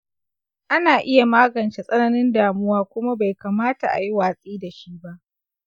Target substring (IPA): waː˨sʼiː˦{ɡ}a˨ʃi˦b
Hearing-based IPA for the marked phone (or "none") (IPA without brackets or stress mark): d